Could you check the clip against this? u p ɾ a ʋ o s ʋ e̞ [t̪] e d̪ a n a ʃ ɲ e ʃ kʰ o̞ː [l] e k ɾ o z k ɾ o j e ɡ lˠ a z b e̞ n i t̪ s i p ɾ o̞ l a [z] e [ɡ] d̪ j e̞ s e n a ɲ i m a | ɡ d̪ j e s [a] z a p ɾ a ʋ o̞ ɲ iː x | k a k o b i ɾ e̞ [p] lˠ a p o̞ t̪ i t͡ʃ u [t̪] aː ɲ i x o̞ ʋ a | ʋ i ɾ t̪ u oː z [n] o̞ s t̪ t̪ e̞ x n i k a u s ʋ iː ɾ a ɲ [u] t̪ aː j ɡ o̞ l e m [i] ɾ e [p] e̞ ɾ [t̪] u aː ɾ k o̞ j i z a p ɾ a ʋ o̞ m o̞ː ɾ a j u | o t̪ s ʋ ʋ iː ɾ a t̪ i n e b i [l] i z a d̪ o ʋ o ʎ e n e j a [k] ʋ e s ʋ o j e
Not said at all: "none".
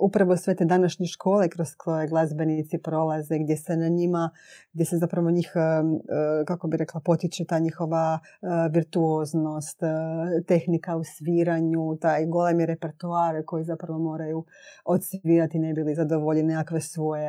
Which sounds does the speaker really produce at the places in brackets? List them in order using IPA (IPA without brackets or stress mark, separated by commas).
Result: t̪, l, z, ɡ, e, k, t̪, n, u, i, p, t̪, l, k